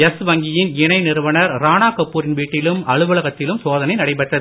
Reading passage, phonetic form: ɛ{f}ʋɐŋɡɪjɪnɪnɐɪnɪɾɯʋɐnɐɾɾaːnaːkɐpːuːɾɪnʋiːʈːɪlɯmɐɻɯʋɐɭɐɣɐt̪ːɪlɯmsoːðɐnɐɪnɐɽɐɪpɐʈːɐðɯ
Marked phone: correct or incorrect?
incorrect